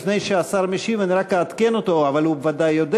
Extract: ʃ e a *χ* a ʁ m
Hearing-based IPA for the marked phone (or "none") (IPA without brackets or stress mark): s